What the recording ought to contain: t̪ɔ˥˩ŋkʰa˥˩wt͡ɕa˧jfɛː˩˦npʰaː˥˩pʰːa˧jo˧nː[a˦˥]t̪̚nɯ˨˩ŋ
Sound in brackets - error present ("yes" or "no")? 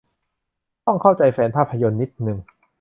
yes